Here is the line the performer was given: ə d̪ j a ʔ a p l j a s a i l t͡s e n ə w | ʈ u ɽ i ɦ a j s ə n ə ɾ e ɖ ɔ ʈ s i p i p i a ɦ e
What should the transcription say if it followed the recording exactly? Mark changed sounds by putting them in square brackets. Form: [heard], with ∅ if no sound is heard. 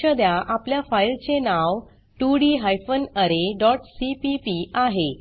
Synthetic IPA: ə d̪ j a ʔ a p l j a [f] a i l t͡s e n [a] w | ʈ u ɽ i ɦ a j [f] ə n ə ɾ e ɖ ɔ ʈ s i p i p i a ɦ e